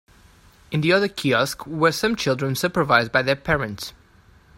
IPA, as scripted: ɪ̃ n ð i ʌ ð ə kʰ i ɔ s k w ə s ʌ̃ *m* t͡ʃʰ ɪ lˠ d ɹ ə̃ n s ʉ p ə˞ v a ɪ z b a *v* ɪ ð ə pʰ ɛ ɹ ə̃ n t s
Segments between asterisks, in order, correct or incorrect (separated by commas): correct, incorrect